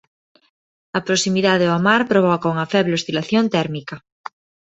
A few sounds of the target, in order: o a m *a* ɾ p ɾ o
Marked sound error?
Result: no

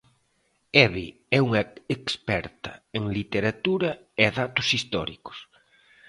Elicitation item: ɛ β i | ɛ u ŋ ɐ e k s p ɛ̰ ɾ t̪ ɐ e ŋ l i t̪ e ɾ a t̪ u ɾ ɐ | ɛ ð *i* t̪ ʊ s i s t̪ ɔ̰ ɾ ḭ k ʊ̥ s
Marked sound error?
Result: yes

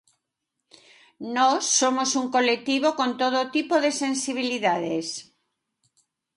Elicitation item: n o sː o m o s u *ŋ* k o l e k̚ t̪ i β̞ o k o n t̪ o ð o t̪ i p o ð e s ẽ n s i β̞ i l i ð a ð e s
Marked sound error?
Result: no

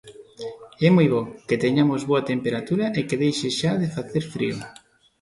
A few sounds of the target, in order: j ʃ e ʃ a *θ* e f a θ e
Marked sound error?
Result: yes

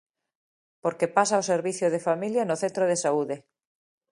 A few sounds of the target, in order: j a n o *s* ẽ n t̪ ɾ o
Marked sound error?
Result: yes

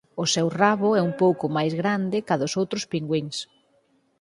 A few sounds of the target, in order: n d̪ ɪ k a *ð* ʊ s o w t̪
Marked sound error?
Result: no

